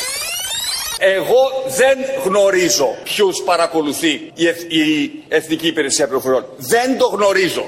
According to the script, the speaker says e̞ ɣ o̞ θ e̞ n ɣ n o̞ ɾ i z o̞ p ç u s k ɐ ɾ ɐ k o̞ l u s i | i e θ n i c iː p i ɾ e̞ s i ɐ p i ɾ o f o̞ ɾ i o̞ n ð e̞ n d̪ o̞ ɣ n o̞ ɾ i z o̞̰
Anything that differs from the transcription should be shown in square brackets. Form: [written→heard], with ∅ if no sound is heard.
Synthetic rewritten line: e̞ ɣ o̞ [θ→ð] e̞ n ɣ n o̞ ɾ i z o̞ p ç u s [k→p] ɐ ɾ ɐ k o̞ l u [s→θ] i | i e θ n i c iː p i ɾ e̞ s i ɐ p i ɾ o f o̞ ɾ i o̞ n ð e̞ n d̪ o̞ ɣ n o̞ ɾ i z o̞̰